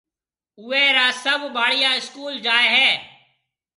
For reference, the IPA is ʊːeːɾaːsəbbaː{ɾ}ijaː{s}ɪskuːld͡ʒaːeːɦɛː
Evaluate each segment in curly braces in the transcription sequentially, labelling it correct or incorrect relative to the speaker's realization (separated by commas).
incorrect, incorrect